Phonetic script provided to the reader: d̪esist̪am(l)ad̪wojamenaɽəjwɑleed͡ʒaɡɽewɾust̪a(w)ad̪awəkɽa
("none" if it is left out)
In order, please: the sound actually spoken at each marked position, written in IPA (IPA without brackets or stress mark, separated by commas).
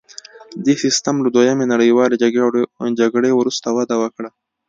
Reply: l, w